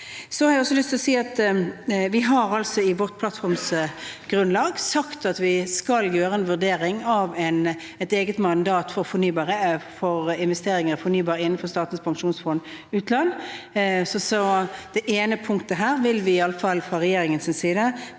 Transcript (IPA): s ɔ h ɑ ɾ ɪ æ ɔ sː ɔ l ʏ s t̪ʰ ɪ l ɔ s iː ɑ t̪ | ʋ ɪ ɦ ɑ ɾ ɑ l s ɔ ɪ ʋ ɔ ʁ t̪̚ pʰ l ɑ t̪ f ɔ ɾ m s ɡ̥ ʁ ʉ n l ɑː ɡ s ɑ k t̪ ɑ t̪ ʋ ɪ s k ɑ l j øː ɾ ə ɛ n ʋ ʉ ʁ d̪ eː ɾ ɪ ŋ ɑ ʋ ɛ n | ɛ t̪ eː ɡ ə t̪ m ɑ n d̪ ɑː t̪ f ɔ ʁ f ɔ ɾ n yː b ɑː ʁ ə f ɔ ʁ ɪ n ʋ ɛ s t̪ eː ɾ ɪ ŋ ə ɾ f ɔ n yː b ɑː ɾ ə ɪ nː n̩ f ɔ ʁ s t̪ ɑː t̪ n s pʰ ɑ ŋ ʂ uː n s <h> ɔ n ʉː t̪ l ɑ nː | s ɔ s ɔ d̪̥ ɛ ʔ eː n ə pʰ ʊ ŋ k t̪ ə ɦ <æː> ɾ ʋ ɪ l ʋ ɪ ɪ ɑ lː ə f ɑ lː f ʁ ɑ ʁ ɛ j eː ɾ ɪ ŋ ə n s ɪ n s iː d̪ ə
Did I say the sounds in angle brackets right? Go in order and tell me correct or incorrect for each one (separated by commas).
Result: incorrect, correct